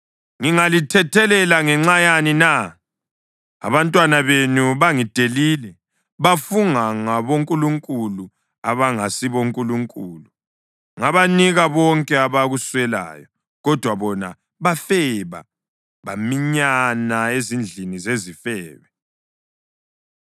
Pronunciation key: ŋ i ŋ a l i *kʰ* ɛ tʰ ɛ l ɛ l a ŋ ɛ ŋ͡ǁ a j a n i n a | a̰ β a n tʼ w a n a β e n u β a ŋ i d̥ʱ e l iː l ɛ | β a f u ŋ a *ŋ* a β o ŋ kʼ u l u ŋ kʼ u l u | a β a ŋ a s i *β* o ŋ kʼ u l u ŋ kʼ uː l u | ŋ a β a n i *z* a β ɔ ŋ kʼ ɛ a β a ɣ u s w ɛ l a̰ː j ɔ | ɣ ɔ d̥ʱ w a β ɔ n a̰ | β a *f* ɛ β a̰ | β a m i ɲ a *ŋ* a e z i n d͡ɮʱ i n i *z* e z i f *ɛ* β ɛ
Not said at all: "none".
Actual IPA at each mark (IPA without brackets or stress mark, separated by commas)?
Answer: tʰ, ŋ, β, ɣ, f, n, z, ɛː